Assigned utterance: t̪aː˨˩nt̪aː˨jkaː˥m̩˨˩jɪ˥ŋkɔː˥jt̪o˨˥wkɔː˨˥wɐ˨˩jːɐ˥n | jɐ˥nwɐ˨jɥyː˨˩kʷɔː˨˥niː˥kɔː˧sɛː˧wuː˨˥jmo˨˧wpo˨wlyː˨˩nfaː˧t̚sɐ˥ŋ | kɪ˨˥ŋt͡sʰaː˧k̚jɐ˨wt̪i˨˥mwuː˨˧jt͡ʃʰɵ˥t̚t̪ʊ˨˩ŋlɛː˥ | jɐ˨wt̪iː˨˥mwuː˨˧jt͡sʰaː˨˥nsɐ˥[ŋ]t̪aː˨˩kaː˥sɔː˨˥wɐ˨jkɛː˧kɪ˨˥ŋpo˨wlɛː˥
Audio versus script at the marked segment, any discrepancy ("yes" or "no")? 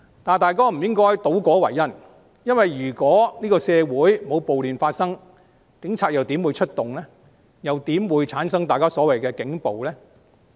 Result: no